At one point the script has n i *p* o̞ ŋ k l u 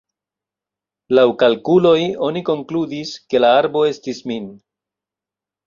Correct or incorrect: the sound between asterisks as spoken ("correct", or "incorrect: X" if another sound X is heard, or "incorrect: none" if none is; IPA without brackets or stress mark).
incorrect: k